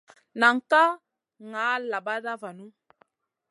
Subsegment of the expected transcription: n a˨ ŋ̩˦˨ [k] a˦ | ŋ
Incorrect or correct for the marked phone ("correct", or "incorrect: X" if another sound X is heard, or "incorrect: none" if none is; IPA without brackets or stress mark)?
correct